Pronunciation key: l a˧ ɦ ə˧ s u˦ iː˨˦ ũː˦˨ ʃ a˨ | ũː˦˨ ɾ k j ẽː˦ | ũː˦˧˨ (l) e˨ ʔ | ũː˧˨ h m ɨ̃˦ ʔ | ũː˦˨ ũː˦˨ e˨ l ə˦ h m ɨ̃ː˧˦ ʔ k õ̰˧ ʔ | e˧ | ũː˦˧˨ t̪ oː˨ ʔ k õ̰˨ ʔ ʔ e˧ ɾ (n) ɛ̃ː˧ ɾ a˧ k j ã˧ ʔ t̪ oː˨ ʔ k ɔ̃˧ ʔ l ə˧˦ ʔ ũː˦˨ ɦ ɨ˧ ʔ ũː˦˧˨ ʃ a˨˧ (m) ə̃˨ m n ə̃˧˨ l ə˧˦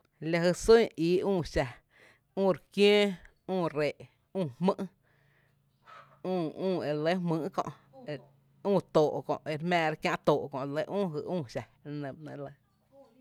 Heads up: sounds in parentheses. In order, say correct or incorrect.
incorrect: ɾ, incorrect: m, incorrect: n

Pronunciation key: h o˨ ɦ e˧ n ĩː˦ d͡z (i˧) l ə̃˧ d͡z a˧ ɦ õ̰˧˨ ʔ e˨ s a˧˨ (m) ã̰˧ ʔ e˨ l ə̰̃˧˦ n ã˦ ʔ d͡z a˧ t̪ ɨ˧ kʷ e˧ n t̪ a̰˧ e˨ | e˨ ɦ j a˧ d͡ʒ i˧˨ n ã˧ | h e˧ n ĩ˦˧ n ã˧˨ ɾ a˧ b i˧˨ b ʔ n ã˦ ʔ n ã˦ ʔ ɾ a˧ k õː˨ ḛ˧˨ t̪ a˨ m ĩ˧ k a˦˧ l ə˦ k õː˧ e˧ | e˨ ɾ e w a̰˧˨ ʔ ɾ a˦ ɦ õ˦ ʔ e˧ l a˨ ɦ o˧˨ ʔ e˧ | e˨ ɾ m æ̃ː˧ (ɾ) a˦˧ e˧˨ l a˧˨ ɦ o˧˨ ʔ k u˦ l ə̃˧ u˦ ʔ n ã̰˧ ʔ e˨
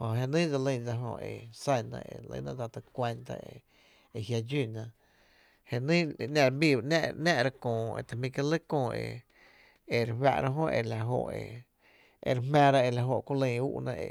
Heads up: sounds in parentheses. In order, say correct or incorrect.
incorrect: a˧, incorrect: n, correct

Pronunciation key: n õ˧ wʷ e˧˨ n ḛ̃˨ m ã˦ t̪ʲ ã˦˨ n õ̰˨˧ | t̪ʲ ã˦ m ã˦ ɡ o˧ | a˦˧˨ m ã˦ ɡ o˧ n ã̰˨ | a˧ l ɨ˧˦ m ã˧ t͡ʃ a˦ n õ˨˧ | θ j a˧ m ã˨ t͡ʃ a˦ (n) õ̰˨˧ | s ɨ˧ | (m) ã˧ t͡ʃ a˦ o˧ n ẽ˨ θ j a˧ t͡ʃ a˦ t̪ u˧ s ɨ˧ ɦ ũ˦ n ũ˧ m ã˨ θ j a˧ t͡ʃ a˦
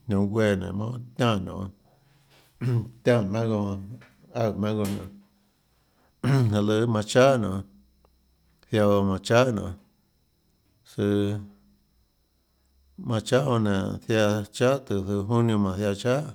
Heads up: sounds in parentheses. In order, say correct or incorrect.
correct, correct

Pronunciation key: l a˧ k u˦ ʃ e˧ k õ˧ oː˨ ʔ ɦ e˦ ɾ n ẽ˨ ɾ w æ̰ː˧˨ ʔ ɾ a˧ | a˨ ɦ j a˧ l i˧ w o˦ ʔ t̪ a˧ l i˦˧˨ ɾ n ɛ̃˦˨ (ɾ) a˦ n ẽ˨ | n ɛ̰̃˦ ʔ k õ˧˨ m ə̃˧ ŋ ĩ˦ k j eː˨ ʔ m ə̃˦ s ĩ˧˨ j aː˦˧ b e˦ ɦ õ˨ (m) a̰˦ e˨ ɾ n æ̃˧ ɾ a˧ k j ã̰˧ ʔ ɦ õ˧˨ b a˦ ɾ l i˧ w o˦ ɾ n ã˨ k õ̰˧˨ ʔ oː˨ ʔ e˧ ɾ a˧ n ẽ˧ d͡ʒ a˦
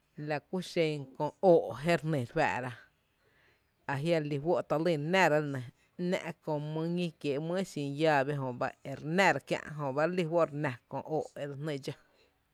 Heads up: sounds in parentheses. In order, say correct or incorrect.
correct, incorrect: b

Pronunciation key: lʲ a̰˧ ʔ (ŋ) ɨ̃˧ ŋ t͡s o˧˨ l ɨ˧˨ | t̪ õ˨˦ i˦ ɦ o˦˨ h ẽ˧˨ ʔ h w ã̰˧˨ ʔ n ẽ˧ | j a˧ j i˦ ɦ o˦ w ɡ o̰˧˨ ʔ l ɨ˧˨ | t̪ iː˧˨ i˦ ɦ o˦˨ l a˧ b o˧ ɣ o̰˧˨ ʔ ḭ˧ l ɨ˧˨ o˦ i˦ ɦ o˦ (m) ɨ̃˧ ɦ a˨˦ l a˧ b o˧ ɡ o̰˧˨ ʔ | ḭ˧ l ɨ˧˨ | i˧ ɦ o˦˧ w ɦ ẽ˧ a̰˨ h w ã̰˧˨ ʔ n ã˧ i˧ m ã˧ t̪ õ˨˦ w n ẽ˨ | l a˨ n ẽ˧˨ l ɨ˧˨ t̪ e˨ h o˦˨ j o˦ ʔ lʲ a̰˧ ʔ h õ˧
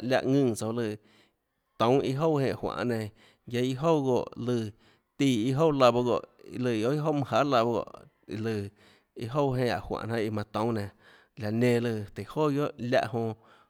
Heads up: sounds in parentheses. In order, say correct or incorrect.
correct, correct

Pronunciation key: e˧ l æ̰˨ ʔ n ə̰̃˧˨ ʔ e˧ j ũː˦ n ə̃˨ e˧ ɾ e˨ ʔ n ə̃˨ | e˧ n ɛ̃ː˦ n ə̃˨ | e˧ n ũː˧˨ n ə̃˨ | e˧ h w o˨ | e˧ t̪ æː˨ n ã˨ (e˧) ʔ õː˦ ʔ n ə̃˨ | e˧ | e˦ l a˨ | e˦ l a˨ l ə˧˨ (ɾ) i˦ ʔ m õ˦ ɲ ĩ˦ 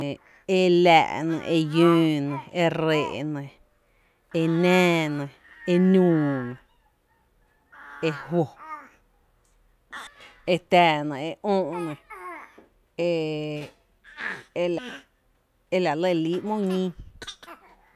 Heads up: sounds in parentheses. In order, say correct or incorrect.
correct, incorrect: l

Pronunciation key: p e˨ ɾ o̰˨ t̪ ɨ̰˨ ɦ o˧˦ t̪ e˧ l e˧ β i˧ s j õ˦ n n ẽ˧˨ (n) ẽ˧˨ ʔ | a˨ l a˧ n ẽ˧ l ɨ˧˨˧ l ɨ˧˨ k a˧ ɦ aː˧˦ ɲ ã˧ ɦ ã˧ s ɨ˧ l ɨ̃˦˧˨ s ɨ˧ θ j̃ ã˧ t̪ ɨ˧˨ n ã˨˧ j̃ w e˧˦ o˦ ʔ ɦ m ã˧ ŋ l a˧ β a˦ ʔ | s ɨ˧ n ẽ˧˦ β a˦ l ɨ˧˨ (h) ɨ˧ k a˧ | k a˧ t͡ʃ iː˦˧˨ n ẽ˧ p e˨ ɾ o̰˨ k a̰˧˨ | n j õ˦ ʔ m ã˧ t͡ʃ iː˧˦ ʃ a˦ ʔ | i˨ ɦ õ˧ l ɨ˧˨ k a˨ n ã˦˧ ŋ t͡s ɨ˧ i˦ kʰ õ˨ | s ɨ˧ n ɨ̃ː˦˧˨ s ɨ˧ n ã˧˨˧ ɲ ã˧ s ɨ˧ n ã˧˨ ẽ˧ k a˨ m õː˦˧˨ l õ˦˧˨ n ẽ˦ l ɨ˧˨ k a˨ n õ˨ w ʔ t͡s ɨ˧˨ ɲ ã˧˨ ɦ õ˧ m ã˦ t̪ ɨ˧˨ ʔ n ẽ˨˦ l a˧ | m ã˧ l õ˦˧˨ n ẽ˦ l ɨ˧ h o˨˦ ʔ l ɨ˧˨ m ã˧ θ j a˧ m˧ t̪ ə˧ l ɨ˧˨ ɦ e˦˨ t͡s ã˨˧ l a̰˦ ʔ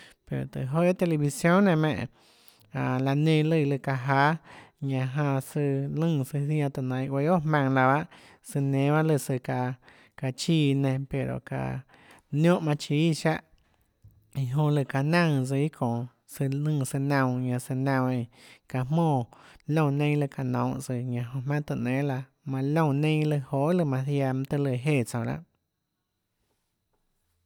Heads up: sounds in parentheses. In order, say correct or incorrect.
incorrect: m, incorrect: s

